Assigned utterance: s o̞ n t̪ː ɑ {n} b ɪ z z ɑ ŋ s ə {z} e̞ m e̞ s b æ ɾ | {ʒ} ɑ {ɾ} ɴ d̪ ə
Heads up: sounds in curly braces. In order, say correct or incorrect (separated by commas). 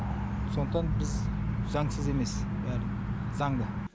correct, correct, incorrect, incorrect